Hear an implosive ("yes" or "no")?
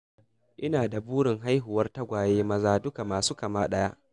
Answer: yes